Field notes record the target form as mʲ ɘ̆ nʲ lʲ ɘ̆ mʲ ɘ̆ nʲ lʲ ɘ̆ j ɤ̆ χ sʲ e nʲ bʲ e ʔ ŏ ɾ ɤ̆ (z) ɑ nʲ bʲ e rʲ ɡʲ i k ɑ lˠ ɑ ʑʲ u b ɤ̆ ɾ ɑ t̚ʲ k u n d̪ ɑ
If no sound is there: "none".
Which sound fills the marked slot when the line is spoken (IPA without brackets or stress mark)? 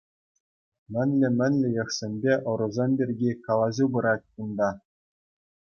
z